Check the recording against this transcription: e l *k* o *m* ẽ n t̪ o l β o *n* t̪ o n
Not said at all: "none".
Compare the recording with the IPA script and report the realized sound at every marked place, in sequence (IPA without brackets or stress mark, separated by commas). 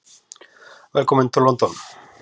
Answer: k, m, n